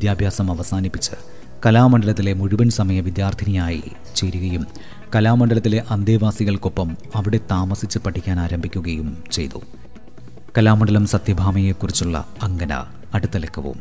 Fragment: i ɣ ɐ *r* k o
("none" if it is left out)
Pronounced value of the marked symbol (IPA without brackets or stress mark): ɭ